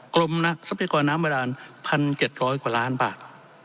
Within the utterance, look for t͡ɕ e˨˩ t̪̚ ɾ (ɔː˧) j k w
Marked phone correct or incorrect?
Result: incorrect